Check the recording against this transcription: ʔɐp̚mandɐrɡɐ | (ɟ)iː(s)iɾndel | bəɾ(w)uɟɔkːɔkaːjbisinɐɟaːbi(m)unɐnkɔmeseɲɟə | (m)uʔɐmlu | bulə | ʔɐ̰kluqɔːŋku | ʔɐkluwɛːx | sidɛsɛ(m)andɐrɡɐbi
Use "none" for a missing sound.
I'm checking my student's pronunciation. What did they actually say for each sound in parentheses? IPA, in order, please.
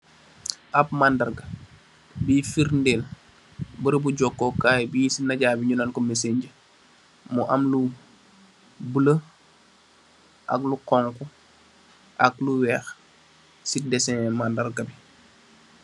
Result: b, f, b, ɲ, m, m

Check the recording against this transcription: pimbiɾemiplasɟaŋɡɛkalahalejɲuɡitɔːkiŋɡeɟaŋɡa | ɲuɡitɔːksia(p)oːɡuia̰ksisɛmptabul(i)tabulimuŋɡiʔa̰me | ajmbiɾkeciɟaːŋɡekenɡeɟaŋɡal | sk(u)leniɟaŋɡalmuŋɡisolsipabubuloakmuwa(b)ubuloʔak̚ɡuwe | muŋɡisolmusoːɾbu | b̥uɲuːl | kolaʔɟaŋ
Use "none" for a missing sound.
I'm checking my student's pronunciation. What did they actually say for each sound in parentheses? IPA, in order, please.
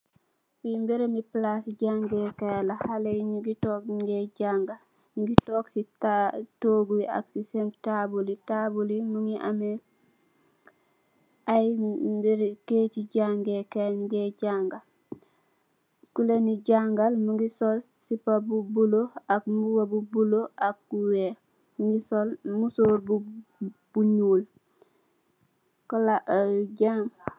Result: t, i, u, b

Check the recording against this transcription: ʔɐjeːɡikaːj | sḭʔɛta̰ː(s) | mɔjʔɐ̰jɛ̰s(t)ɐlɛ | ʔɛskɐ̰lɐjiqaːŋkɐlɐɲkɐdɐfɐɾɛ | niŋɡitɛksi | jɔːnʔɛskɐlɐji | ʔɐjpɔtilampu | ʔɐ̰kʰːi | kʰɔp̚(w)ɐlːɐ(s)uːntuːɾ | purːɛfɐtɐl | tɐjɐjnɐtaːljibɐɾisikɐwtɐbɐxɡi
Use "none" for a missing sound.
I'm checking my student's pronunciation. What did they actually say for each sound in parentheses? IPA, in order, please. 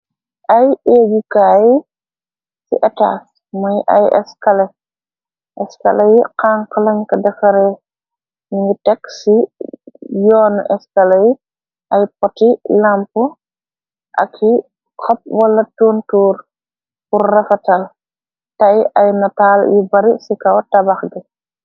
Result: s, k, w, t

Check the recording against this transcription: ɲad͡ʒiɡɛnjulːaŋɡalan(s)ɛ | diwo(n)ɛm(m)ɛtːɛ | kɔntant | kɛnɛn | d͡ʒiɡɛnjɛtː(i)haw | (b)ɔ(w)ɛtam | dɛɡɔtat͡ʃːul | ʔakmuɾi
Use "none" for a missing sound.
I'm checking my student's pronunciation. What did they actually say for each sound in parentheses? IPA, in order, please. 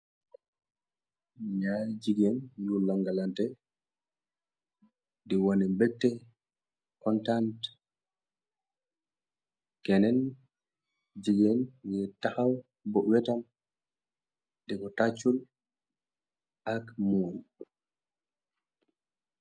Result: t, n, b, a, b, w

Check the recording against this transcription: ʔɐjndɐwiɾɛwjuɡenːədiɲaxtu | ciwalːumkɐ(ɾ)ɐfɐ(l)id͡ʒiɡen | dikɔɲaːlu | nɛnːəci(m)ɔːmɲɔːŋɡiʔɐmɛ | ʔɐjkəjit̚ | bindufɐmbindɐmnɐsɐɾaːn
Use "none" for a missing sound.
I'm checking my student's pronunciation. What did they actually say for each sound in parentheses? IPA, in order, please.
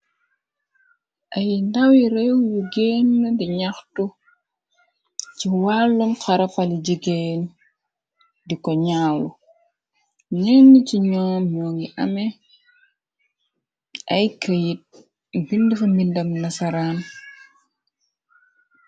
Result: ɾ, l, ɲ

